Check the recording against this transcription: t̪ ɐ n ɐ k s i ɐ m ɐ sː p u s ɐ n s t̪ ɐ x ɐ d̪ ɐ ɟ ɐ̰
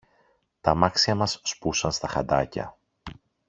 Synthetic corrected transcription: t̪ ɐ m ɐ k s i ɐ m ɐ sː p u s ɐ n s t̪ ɐ x ɐ d̪ ɐ c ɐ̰